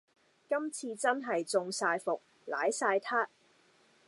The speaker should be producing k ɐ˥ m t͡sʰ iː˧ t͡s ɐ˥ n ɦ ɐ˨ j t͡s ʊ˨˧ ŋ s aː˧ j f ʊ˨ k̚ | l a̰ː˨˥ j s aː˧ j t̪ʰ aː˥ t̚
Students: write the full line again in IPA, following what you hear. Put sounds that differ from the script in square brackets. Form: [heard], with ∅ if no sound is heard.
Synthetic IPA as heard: k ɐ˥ m t͡sʰ iː˧ t͡s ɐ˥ n ɦ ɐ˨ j t͡s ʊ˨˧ ŋ s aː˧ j f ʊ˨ k̚ | l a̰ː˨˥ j s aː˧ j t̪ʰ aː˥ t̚